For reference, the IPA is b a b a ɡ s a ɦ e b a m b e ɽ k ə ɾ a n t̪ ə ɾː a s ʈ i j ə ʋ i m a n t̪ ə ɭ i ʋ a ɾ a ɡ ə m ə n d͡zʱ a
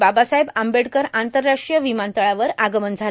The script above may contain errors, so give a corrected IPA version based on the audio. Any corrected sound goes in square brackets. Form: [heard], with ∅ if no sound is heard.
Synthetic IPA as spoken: b a b a [∅] s a ɦ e b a m b e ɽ k ə ɾ a n t̪ ə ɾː a [ʂ] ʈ i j ə ʋ i m a n t̪ ə ɭ [a] ʋ [ə] ɾ a ɡ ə m ə n d͡zʱ a